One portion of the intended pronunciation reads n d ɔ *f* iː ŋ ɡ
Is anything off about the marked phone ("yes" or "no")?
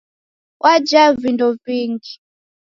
yes